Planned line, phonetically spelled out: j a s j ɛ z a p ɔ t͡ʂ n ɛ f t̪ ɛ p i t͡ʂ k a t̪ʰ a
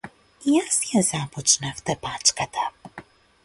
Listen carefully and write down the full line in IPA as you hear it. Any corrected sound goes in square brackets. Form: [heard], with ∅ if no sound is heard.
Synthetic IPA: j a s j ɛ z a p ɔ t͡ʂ n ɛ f t̪ ɛ p [a] t͡ʂ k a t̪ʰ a